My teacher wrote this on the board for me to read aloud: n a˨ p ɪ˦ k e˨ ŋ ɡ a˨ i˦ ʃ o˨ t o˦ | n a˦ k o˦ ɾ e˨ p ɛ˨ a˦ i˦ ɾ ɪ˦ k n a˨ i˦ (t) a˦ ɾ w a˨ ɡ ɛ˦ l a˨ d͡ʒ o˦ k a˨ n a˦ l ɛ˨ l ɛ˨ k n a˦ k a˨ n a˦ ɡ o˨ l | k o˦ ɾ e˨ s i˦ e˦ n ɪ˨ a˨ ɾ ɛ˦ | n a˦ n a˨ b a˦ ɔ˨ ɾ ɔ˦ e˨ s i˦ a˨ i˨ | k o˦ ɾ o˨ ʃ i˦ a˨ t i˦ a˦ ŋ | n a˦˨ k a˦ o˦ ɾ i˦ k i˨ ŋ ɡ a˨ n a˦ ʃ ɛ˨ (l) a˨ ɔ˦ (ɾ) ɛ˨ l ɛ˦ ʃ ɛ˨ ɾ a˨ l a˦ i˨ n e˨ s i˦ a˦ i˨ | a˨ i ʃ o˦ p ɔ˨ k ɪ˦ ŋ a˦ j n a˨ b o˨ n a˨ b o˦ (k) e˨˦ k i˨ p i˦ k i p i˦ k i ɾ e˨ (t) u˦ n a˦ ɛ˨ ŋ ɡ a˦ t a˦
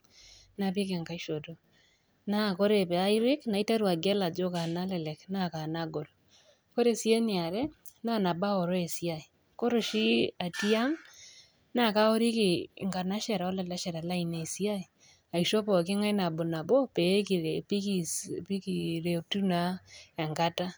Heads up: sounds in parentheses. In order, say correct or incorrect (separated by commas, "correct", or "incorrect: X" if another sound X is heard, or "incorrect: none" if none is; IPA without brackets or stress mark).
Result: correct, incorrect: ɾ, incorrect: l, incorrect: p, correct